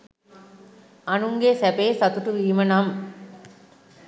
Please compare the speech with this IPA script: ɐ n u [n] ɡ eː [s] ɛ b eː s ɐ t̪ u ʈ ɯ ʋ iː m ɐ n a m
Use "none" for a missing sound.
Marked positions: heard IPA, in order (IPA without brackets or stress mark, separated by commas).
ŋ, s